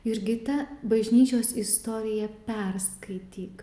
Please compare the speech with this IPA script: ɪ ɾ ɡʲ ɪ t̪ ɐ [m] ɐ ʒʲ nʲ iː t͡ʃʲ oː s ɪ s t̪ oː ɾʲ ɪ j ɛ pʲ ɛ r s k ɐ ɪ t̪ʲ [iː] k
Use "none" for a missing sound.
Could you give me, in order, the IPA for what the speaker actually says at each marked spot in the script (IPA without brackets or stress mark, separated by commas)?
b, iː